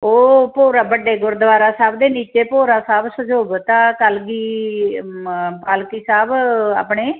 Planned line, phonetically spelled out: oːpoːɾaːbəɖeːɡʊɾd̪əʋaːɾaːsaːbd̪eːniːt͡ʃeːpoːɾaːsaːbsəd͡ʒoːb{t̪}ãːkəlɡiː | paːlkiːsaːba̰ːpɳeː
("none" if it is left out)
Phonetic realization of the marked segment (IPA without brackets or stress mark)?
t̪